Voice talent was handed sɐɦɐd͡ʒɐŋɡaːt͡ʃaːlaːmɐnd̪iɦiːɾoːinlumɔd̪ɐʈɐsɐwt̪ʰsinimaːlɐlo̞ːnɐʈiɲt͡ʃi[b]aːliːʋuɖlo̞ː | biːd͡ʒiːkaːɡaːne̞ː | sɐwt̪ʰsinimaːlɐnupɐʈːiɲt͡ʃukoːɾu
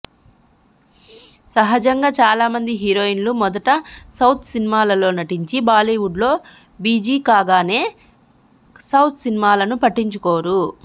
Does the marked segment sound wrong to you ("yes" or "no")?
no